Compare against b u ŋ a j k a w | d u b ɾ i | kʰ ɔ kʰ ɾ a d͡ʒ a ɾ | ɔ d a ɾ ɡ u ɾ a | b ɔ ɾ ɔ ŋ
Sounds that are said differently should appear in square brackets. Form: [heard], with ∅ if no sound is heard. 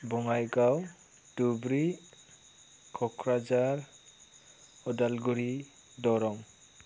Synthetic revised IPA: b [ɔ] ŋ a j [ɡ] a w | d u b ɾ i | kʰ ɔ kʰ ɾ a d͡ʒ a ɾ | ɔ d a [l] ɡ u ɾ [i] | [d] ɔ ɾ ɔ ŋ